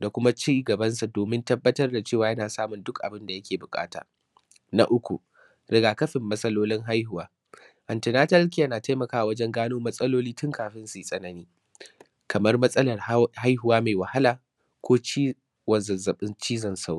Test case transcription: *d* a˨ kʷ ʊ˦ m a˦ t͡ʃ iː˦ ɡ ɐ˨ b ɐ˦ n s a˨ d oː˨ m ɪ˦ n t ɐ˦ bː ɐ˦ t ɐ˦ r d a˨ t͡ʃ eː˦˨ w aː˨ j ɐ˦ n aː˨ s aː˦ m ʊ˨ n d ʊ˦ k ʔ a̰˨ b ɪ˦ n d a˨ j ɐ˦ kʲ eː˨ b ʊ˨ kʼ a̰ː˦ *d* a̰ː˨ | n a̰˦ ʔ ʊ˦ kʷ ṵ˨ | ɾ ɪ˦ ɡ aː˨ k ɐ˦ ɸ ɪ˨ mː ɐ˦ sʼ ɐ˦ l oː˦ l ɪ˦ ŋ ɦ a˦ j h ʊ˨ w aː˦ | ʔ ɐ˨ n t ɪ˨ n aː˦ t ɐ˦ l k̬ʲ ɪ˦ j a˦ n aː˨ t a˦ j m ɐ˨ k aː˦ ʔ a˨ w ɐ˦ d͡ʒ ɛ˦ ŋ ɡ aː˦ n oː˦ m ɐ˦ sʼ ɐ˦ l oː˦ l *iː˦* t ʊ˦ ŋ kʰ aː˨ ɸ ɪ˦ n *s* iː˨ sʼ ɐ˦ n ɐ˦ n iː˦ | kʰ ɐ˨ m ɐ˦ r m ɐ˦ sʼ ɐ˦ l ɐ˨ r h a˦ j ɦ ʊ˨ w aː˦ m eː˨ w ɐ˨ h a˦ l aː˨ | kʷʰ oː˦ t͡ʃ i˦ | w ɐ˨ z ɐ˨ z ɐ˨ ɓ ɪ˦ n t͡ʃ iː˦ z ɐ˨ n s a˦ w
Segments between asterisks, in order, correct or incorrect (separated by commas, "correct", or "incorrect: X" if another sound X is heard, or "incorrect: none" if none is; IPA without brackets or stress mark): correct, incorrect: t, correct, correct